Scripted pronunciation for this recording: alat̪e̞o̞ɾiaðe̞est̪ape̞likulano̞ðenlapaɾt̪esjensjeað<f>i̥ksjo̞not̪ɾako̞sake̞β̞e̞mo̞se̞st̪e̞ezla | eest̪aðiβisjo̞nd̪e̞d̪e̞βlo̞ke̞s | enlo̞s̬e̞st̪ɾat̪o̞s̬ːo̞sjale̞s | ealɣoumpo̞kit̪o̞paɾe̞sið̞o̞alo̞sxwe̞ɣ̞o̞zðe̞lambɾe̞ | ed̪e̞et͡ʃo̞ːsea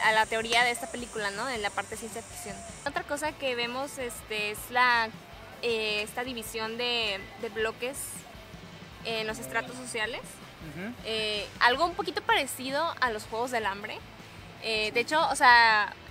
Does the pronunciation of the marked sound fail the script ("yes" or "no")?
no